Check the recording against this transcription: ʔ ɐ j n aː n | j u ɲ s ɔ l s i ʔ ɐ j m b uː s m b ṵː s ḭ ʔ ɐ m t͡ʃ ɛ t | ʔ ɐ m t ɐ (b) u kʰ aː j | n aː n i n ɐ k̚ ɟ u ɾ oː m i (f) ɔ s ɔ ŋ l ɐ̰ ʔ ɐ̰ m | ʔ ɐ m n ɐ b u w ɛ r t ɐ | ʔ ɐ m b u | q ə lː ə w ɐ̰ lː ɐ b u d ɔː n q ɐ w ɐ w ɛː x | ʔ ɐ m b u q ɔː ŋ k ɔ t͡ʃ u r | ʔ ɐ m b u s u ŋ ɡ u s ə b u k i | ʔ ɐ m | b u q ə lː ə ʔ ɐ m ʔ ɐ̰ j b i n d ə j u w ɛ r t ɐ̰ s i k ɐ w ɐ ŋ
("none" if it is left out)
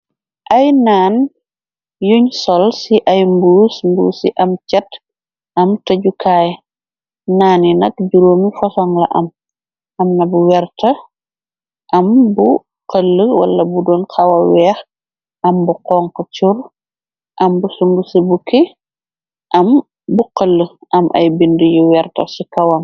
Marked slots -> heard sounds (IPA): ɟ, f

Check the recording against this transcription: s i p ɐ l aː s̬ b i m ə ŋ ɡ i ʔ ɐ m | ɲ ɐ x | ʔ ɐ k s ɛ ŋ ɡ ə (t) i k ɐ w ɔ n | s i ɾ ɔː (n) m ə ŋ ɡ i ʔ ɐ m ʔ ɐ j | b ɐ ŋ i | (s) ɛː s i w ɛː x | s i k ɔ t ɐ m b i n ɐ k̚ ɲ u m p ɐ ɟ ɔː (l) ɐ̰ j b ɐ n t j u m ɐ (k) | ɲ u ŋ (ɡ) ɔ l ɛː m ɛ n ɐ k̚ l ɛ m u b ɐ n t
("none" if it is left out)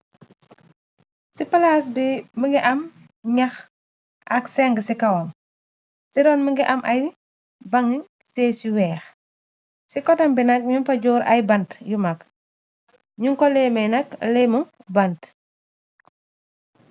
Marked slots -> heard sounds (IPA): s, n, s, ɾ, k, k

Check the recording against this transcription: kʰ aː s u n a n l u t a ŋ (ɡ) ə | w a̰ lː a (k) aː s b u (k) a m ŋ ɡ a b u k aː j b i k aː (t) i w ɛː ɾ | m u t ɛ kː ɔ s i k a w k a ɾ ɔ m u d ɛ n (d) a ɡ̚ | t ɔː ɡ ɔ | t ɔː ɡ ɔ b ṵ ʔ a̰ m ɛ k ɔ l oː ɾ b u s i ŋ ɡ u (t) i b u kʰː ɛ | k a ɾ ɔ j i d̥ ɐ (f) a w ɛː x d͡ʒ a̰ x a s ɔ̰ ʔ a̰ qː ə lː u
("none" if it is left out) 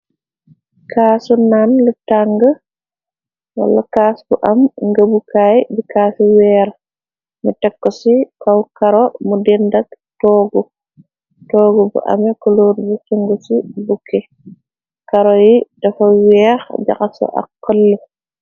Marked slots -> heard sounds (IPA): ɡ, k, ʔ, s, d, s, f

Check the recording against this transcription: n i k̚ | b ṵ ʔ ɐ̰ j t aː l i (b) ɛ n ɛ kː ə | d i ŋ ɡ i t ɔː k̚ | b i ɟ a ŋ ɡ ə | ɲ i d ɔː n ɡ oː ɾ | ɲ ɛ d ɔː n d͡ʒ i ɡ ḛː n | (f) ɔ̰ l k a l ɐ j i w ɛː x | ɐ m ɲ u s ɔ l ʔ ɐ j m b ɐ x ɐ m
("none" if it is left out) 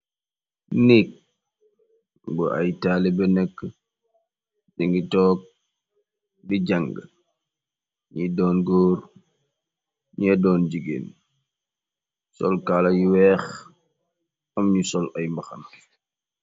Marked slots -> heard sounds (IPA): b, s

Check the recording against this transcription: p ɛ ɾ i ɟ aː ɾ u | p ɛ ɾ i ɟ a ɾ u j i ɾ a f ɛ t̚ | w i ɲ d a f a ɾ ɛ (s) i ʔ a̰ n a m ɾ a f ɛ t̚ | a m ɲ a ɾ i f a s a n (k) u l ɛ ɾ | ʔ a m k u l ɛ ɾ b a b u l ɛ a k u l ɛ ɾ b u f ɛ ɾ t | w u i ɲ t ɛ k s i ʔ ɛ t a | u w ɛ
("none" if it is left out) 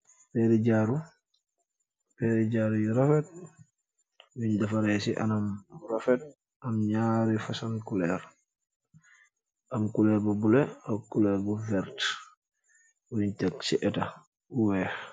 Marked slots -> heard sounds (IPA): s, k

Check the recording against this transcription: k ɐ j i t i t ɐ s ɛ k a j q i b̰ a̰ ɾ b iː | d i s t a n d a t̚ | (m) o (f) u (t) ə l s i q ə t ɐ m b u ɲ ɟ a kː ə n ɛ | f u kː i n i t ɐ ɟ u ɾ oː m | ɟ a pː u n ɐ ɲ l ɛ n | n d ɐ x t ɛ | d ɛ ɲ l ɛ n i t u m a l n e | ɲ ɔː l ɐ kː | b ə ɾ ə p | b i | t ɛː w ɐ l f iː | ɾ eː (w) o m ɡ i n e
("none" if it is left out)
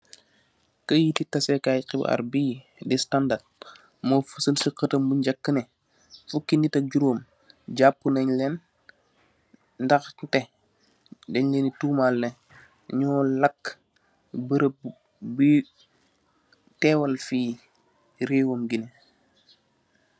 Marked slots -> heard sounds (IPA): m, f, s, w

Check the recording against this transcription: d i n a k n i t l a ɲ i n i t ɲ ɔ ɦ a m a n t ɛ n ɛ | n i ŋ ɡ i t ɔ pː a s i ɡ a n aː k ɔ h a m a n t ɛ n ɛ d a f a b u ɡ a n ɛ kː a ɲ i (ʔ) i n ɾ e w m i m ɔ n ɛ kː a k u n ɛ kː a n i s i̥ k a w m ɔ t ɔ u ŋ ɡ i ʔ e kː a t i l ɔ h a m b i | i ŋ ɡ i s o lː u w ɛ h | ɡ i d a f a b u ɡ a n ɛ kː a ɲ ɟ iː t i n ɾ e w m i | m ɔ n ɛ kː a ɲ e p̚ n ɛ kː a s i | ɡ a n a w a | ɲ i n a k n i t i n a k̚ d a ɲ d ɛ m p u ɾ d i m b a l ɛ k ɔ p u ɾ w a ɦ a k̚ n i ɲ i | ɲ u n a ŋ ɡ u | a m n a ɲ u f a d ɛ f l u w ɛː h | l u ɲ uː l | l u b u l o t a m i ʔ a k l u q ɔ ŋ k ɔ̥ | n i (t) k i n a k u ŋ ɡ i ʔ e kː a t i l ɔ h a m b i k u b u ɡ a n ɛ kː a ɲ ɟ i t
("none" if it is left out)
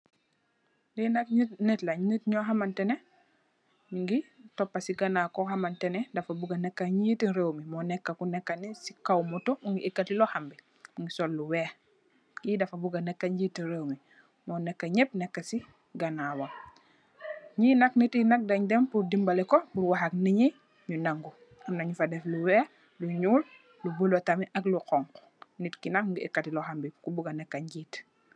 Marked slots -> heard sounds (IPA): t, t

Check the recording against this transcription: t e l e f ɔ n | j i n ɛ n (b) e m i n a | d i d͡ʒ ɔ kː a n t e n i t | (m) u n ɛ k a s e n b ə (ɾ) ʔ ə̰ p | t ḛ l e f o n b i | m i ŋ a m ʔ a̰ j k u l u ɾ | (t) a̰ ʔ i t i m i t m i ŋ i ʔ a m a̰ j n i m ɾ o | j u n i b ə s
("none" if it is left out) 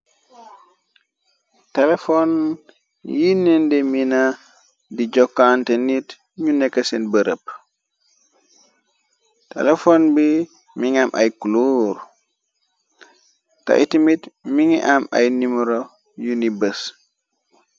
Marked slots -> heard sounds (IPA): d, ɲ, ɾ, t

